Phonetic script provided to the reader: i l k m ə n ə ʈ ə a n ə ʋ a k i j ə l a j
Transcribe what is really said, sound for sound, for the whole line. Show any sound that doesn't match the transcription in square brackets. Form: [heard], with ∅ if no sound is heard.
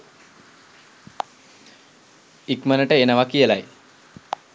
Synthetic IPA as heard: i [∅] k m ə n ə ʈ ə [e] n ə ʋ a k i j ə l a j